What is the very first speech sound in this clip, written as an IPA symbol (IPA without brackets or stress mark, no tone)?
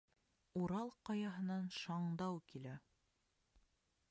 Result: u